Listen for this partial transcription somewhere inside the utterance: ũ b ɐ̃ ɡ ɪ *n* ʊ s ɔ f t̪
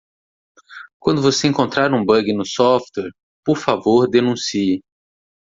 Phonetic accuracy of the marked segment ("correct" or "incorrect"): correct